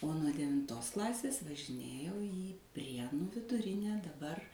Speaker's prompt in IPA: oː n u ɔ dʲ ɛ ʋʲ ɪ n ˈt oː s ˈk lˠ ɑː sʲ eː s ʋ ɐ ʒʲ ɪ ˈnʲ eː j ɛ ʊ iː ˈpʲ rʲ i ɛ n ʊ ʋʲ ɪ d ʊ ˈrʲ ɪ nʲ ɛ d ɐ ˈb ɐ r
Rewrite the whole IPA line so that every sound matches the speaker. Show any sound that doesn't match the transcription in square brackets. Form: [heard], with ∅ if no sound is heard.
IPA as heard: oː n u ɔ dʲ ɛ ʋʲ ɪ n ˈt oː s ˈk lˠ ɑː sʲ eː s ʋ ɐ ʒʲ ɪ ˈnʲ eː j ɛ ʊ iː ˈpʲ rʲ i ɛ n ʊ ʋʲ ɪ d ʊ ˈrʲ ɪ nʲ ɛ d ɐ ˈb ɐ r